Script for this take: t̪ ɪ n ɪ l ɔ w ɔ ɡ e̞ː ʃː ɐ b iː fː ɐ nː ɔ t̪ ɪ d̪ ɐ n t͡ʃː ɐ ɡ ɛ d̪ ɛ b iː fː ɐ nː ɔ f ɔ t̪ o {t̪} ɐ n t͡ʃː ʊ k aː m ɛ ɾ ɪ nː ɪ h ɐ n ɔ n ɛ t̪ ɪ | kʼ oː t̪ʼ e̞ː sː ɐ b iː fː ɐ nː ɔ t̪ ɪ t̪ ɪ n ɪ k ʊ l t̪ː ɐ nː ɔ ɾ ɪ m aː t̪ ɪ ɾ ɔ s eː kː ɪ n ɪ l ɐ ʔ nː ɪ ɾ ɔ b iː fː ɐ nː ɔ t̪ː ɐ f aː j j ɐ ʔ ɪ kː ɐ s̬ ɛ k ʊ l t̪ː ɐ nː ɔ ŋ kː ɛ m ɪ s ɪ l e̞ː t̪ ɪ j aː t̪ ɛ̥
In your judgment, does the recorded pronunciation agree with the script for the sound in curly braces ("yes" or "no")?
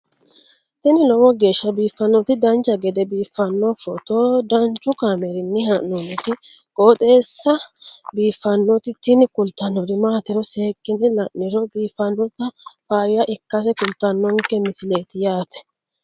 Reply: no